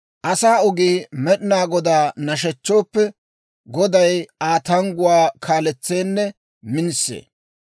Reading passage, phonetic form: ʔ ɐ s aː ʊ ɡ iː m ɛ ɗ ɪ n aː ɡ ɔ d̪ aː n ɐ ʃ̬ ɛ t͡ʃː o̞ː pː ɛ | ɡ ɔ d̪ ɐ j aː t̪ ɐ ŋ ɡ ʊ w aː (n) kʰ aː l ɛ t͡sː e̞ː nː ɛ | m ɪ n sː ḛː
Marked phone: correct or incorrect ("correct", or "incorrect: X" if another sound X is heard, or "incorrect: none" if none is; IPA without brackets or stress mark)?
incorrect: none